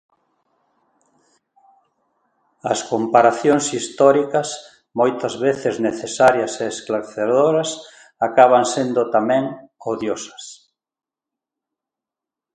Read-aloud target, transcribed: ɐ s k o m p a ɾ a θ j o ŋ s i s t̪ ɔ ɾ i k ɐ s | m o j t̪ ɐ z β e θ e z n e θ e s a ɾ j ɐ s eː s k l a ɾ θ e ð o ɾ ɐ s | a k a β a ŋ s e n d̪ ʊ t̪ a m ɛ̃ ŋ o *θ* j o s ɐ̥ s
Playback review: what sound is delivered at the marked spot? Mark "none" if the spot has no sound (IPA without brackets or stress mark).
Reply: ð